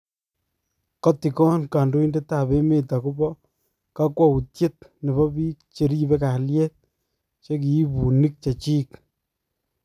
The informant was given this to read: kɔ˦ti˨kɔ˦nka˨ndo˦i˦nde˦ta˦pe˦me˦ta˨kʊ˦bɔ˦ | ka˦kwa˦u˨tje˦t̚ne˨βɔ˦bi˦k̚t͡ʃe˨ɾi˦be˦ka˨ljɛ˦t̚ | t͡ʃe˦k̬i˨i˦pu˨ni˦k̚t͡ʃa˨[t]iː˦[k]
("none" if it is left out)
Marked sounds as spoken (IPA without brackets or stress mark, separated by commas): t͡ʃ, k